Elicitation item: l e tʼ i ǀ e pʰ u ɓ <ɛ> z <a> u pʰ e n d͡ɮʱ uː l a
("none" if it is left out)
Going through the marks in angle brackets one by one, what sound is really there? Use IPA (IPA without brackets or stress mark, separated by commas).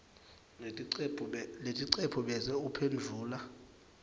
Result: ɛ, ɛ